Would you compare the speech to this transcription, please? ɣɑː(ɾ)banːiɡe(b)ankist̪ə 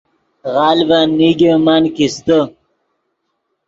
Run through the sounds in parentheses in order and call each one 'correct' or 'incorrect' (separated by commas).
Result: incorrect, incorrect